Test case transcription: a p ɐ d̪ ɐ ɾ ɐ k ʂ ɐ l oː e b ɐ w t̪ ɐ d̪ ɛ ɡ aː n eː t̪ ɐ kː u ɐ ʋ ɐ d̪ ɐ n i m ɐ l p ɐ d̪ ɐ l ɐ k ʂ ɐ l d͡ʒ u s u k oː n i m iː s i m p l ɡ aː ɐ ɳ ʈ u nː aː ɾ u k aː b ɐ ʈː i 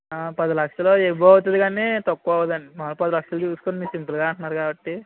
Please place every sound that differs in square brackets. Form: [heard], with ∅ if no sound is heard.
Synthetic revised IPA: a p ɐ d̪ ɐ [l] ɐ k ʂ ɐ l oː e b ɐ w t̪ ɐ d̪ [i] ɡ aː n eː t̪ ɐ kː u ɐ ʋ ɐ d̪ ɐ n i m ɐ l p ɐ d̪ ɐ l ɐ k ʂ ɐ l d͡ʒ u s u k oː n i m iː s i m p l ɡ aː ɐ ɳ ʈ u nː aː ɾ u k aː b ɐ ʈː i